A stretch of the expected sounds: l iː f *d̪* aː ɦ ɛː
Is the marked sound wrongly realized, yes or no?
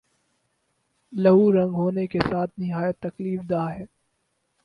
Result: no